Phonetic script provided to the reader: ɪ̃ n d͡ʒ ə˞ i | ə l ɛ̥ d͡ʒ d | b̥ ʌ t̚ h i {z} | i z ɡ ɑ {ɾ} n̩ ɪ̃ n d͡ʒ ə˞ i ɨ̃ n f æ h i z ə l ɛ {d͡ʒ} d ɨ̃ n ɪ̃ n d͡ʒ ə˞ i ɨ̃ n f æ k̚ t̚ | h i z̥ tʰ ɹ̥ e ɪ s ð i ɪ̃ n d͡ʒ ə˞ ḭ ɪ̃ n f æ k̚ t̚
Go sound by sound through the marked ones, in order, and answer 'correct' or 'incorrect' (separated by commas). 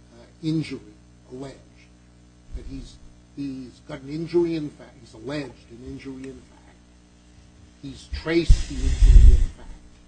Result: correct, correct, correct